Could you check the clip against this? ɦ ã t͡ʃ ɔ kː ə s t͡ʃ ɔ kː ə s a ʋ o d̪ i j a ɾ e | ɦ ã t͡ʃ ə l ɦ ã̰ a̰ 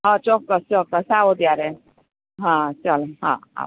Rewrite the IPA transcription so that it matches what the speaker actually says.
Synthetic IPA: ɦ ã t͡ʃ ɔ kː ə s t͡ʃ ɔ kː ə s a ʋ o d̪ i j a ɾ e | ɦ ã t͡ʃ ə l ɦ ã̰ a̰